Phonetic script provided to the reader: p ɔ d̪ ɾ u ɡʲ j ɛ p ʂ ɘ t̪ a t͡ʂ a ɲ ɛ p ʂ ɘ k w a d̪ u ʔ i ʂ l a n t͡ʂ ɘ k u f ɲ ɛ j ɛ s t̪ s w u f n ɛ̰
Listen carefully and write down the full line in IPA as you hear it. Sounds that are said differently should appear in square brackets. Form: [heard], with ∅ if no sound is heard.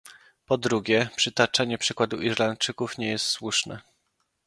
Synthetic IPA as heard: p ɔ d̪ ɾ u ɡʲ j ɛ p ʂ ɘ t̪ a t͡ʂ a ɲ ɛ p ʂ ɘ k w a d̪ u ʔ i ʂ l a n t͡ʂ ɘ k u f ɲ ɛ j ɛ s t̪ s w u [ʂ] n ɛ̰